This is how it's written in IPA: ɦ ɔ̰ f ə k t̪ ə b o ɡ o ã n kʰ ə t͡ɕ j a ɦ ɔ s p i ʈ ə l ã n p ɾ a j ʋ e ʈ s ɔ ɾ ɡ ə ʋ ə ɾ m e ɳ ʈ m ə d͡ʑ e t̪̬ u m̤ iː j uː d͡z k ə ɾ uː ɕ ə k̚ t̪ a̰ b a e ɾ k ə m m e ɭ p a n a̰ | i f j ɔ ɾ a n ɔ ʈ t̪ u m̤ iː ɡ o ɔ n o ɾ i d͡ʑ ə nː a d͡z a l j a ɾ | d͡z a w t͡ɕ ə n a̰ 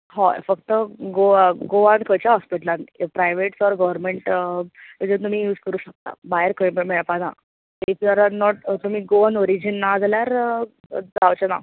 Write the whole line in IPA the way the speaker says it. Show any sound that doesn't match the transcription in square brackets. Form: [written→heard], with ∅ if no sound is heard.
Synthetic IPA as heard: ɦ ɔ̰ f ə k t̪ ə [b→ɡ] o ɡ o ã n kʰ ə t͡ɕ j a ɦ ɔ s p i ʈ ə l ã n p ɾ a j ʋ e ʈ s ɔ ɾ ɡ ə ʋ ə ɾ m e ɳ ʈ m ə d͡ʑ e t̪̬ u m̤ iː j uː d͡z k ə ɾ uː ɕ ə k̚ t̪ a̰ b a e ɾ k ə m m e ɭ p a n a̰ | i f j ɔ ɾ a n ɔ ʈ t̪ u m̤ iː ɡ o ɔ n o ɾ i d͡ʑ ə nː a d͡z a l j a ɾ | d͡z a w t͡ɕ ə n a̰